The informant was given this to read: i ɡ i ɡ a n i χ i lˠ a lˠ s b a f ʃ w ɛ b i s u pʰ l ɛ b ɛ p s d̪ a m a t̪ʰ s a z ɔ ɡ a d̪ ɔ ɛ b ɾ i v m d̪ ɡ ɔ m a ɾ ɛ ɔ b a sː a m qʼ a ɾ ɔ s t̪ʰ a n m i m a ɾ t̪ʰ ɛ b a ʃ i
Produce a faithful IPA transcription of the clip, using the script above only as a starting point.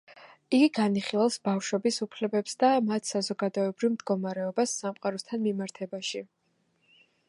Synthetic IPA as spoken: i ɡ i ɡ a n i χ i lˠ a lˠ s b a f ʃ w ɛ b i s u pʰ l ɛ b ɛ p s d̪ a m a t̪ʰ s a z ɔ ɡ a d̪ ɔ ɛ b ɾ i v m d̪ ɡ ɔ m a ɾ ɛ ɔ b a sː a m qʼ a ɾ ɔ s t̪ʰ a n m i m a ɾ t̪ʰ ɛ b a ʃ i